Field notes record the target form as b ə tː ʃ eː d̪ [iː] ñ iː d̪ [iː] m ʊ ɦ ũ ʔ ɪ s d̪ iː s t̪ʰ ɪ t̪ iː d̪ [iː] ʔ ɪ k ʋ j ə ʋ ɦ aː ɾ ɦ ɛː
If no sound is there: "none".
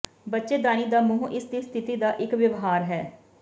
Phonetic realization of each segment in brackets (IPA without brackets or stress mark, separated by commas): aː, aː, aː